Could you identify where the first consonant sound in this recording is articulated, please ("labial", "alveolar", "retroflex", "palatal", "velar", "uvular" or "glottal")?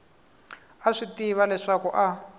retroflex